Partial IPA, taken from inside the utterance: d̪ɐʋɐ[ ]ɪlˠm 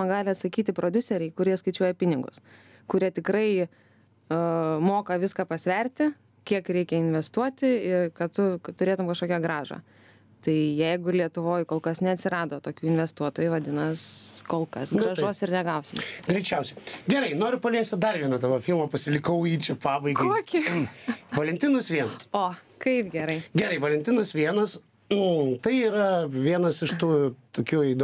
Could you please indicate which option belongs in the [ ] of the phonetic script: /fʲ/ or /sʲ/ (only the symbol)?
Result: fʲ